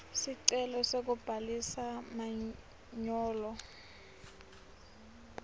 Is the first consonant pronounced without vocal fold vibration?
yes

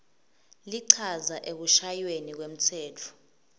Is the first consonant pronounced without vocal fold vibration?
no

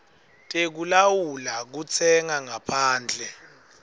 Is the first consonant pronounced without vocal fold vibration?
yes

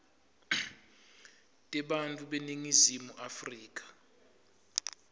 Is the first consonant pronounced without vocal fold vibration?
yes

